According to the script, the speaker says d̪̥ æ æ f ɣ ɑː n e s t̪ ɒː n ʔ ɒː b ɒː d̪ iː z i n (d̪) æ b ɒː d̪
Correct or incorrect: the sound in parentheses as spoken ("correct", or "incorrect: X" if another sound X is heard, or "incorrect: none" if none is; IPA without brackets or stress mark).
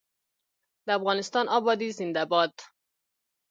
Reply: correct